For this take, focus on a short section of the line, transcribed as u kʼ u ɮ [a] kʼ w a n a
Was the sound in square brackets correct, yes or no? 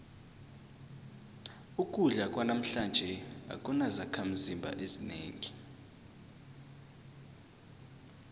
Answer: yes